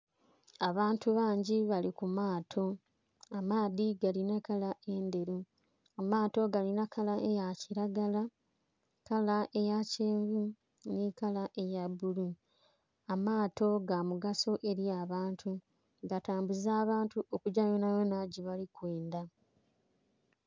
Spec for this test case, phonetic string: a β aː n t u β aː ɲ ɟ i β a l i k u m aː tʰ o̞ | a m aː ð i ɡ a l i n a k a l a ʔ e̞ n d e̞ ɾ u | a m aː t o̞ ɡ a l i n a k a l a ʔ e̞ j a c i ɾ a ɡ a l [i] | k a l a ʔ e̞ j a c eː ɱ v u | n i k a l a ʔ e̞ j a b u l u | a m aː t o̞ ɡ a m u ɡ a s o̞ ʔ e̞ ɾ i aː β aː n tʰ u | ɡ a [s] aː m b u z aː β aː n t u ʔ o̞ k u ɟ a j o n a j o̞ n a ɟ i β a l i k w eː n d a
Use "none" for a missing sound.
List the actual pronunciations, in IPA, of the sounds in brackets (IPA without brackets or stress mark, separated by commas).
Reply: a, t